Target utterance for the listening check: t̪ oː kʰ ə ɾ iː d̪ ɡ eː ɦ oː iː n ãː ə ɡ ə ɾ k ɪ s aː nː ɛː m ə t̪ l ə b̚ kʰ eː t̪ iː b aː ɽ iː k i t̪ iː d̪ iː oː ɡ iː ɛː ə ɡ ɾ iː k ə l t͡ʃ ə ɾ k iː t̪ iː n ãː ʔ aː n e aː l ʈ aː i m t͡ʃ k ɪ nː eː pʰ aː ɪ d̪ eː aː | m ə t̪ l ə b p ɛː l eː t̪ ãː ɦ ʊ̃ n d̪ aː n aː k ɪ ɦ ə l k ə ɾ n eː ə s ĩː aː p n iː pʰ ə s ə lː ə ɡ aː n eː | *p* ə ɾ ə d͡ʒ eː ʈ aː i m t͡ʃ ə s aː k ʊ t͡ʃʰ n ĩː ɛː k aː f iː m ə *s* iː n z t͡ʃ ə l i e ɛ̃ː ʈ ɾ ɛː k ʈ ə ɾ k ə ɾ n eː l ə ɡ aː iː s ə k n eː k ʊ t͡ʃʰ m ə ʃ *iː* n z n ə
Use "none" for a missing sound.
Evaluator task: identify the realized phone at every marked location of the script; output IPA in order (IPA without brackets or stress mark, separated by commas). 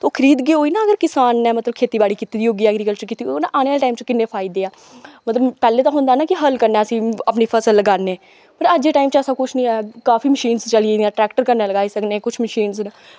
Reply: p, ʃ, iː